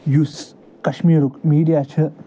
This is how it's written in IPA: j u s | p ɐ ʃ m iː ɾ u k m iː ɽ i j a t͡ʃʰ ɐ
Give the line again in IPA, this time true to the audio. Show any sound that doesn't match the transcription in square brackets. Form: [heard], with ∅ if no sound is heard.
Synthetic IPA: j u s | [k] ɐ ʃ m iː ɾ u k m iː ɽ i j a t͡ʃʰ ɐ

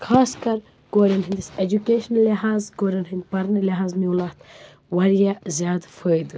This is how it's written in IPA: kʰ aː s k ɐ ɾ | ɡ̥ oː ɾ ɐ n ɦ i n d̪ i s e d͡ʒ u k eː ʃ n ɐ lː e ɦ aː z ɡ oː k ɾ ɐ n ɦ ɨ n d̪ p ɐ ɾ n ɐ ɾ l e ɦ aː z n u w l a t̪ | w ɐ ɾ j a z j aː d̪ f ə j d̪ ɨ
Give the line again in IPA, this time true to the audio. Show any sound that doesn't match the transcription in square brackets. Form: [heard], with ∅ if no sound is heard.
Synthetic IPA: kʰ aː s k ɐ ɾ | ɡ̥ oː ɾ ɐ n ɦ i n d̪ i s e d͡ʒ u k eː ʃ n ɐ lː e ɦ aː z ɡ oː [∅] ɾ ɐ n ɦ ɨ n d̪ p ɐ ɾ n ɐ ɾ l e ɦ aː z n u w l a t̪ | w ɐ ɾ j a z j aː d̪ f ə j d̪ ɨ

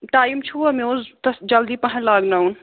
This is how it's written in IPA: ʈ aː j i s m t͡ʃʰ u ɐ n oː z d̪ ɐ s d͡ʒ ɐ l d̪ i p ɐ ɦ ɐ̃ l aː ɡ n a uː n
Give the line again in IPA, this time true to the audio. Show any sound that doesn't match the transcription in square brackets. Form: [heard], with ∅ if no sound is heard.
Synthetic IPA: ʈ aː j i [∅] m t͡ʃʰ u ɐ [m] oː z [t̪] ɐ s d͡ʒ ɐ l d̪ i p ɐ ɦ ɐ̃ l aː ɡ n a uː n

